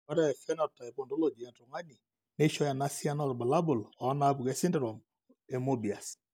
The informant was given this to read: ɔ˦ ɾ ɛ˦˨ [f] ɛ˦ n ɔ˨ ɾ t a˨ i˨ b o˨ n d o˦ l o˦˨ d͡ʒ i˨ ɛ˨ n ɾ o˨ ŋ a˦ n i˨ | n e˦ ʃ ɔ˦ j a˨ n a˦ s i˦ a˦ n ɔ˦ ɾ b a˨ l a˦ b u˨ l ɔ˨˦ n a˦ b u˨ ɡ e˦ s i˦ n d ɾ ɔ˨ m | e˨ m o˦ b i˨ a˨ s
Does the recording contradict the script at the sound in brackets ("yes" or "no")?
no